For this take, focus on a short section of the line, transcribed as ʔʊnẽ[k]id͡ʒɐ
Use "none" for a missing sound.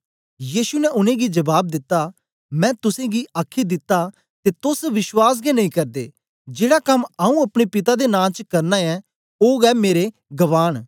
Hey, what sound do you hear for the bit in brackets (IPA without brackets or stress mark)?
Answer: ɡ